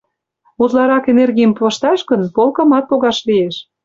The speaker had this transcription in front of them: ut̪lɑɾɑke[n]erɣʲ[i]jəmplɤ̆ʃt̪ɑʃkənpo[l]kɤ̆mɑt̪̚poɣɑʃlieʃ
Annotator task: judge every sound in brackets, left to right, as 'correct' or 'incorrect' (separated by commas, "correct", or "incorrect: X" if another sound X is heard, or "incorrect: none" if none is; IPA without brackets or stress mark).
correct, correct, correct